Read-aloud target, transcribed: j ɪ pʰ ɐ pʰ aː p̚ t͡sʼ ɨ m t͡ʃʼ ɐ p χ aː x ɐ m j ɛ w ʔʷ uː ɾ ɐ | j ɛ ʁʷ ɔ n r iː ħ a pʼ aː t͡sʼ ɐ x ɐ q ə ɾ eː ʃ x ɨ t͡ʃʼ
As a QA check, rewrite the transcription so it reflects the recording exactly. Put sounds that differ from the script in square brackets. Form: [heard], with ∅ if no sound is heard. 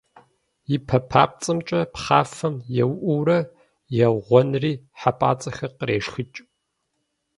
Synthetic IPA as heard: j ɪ pʰ ɐ pʰ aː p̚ t͡sʼ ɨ m t͡ʃʼ ɐ p χ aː [f] ɐ m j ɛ w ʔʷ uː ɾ ɐ | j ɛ ʁʷ ɔ n r iː ħ a pʼ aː t͡sʼ ɐ x ɐ q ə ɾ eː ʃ x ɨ t͡ʃʼ